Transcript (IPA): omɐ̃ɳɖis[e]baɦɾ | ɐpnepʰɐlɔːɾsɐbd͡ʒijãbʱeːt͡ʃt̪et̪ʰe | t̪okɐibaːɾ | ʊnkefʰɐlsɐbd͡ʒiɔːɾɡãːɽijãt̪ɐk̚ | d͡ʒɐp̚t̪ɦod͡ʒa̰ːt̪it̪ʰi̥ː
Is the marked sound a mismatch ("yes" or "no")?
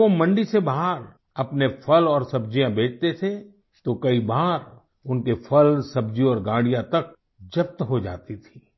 no